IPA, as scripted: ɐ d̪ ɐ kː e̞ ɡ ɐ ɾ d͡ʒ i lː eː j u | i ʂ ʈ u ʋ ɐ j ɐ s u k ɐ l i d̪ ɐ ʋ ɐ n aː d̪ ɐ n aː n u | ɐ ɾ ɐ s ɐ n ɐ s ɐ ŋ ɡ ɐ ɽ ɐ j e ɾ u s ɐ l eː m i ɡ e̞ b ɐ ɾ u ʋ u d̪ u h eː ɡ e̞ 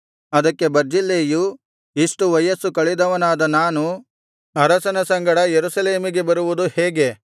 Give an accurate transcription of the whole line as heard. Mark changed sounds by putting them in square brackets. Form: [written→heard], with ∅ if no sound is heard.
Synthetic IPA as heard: ɐ d̪ ɐ kː e̞ [ɡ→b] ɐ ɾ d͡ʒ i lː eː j u | i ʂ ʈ u ʋ ɐ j ɐ s u k ɐ [l→ɭ] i d̪ ɐ ʋ ɐ n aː d̪ ɐ n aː n u | ɐ ɾ ɐ s ɐ n ɐ s ɐ ŋ ɡ ɐ ɽ ɐ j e ɾ u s ɐ l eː m i ɡ e̞ b ɐ ɾ u ʋ u d̪ u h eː ɡ e̞